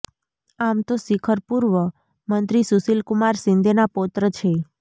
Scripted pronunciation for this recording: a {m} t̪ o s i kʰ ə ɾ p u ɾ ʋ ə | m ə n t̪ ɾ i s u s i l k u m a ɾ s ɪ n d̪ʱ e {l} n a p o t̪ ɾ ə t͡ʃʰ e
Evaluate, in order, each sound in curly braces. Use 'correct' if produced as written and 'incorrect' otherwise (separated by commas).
correct, incorrect